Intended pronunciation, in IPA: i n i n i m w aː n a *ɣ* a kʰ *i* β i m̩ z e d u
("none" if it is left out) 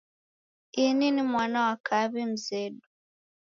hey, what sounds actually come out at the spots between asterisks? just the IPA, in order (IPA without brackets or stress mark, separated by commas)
w, a